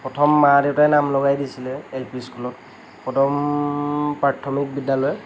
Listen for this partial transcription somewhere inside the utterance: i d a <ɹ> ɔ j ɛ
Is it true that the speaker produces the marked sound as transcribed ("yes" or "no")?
no